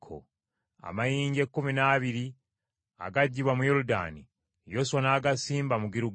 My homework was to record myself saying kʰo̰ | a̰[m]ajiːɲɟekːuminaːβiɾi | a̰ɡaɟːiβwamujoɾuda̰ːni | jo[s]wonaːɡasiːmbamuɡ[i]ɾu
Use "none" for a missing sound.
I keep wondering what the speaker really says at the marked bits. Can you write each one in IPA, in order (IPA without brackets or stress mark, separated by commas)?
m, s, i